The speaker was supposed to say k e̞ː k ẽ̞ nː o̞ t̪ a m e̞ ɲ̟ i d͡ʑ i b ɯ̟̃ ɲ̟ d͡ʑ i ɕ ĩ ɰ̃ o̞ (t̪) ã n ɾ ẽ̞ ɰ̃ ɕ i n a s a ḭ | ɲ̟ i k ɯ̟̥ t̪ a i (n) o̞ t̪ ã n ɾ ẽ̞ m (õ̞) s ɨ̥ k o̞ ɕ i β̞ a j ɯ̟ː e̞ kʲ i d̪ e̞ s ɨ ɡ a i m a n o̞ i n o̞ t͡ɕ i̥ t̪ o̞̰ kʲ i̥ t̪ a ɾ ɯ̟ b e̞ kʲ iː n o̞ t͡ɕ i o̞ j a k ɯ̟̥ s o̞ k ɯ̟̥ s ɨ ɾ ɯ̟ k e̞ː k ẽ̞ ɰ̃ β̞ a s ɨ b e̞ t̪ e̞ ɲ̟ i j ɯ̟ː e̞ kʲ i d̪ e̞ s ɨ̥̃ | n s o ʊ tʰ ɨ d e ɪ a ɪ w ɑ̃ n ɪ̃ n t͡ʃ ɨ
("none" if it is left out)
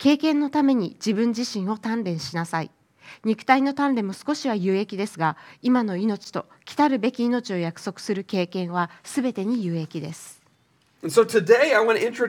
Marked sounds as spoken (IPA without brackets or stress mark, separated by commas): t̪, n, o̞